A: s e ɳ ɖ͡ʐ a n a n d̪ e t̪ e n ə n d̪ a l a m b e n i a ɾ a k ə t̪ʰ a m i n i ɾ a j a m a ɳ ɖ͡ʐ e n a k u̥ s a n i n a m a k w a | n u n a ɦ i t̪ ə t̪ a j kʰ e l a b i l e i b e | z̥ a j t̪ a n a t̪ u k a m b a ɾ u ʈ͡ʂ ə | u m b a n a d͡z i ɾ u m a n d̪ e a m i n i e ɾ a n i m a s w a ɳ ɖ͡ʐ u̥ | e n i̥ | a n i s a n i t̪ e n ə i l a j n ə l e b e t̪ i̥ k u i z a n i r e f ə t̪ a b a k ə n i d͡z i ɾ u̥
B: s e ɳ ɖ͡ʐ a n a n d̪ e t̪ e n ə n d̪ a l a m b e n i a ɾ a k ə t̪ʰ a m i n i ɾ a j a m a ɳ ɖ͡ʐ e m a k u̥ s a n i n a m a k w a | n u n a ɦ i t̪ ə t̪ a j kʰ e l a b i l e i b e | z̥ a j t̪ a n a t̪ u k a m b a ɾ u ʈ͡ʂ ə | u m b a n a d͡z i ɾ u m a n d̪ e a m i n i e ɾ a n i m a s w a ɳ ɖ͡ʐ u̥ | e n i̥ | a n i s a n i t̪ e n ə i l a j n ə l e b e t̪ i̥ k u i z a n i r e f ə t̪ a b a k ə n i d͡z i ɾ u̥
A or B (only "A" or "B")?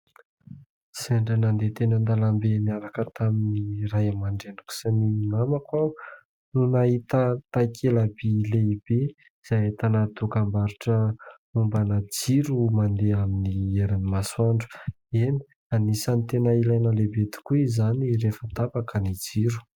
A